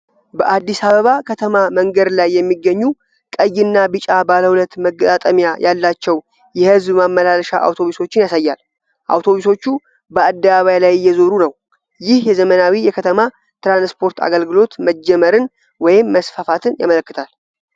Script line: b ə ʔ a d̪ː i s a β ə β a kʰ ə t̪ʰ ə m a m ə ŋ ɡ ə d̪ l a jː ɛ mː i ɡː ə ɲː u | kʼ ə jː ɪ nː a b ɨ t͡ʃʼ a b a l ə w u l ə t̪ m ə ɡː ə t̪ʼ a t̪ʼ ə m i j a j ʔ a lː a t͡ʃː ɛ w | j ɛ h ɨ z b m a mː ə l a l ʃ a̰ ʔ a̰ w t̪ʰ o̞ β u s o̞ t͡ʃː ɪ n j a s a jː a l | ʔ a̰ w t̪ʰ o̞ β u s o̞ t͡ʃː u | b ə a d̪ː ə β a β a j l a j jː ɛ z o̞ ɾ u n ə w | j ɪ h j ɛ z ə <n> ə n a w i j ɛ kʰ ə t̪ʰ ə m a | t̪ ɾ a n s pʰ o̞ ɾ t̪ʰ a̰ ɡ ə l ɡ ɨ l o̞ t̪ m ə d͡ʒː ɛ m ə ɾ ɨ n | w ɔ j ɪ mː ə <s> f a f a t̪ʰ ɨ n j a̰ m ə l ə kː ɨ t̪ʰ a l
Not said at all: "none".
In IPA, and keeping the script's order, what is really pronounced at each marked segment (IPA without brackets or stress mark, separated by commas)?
m, s